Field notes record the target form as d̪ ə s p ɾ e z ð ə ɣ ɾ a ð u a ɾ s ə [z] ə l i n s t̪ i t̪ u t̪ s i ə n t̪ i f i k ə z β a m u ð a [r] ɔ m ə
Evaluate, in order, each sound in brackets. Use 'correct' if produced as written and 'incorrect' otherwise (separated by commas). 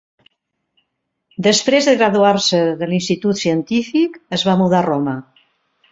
incorrect, correct